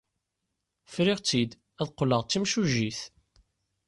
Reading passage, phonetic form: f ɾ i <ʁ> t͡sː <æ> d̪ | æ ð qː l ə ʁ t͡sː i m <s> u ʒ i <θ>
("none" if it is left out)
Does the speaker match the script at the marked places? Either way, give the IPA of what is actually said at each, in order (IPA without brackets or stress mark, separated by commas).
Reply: ʁ, i, ʃ, θ